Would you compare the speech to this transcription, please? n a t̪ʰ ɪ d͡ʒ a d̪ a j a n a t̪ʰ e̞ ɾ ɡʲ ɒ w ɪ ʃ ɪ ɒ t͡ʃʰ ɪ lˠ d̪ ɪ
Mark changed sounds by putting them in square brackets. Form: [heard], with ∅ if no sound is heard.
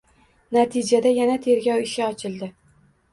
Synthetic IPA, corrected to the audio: n a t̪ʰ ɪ d͡ʒ a d̪ a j a n a t̪ʰ e̞ ɾ ɡʲ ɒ w ɪ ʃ ɪ ɒ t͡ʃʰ ɪ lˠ d̪ ɪ